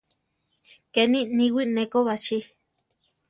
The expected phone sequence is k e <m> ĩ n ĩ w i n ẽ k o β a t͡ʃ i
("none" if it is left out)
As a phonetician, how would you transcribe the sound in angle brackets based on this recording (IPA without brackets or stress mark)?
n